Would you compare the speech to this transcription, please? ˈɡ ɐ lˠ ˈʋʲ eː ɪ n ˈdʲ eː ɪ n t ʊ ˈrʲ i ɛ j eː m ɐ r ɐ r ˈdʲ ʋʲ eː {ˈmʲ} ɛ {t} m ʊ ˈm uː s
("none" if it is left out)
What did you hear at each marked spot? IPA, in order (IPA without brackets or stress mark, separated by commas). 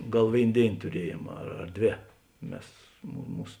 mʲ, s